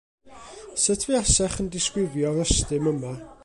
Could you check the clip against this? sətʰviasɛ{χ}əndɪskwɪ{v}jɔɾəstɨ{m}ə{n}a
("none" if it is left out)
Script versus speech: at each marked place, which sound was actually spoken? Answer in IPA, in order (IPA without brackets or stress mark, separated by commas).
χ, v, m, m